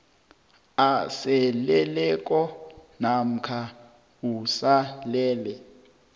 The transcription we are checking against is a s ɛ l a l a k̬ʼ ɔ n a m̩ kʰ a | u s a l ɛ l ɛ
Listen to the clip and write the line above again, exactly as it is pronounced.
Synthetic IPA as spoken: a s ɛ l ɛ l ɛ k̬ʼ ɔ n a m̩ kʰ a | u s a l ɛː l ɛ